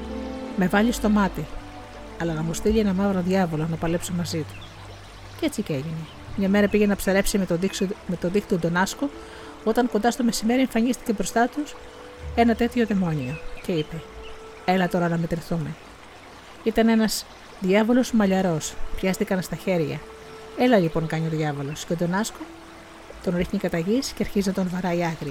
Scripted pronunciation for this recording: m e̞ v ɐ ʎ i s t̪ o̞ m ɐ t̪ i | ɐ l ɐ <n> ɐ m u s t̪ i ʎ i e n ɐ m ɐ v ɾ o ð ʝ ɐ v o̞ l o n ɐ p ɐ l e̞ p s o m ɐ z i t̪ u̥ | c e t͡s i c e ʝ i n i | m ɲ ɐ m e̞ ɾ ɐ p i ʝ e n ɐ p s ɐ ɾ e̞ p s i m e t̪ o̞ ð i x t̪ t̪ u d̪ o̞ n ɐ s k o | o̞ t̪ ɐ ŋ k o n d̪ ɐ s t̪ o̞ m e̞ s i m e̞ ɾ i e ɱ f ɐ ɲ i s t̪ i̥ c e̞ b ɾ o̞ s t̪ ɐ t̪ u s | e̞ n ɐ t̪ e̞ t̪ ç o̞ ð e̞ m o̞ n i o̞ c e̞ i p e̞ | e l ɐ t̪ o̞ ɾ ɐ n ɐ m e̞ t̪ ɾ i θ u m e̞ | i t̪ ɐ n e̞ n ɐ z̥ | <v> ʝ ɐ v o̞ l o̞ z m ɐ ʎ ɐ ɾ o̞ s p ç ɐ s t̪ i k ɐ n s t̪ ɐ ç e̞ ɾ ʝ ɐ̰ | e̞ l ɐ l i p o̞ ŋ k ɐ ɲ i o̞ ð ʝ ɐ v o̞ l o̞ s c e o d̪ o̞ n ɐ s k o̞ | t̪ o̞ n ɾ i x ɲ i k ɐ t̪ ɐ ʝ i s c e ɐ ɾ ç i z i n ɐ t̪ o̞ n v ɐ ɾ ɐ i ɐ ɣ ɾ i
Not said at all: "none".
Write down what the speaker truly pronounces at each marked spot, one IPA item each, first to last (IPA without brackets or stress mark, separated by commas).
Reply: n, ð